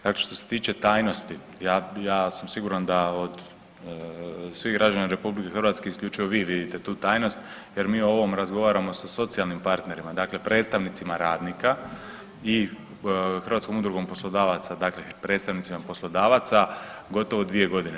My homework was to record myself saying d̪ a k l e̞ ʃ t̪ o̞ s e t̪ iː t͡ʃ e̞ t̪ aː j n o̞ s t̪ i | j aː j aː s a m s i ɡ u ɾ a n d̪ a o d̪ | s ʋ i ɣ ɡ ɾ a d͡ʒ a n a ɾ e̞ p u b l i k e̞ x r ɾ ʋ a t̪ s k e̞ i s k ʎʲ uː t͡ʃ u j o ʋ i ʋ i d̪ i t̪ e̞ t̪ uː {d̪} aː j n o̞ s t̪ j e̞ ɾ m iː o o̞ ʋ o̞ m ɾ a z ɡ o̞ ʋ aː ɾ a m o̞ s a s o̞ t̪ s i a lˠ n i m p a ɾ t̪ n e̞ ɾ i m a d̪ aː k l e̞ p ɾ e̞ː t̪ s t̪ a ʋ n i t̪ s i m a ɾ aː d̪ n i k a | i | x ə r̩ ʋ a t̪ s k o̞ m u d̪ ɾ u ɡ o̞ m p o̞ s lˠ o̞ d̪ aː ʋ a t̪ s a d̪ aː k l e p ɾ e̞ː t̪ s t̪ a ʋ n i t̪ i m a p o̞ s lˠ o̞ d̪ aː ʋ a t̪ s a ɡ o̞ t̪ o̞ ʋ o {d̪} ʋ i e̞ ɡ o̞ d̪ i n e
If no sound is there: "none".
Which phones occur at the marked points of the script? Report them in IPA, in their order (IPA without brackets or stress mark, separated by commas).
t̪, d̪